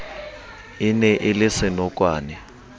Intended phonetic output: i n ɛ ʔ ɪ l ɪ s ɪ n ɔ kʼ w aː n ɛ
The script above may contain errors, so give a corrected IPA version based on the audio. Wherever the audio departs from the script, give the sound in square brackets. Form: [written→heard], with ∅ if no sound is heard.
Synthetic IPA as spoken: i n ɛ ʔ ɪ l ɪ s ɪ n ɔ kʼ w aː n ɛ